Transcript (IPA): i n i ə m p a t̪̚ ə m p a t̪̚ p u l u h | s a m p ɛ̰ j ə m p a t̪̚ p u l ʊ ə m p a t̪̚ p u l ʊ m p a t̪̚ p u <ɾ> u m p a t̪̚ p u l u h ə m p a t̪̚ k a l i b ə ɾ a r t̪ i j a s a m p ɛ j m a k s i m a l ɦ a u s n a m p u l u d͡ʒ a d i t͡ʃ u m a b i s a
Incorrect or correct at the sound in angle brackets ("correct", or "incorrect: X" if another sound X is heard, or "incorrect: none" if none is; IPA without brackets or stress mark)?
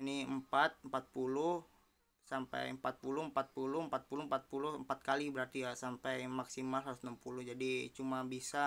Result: incorrect: l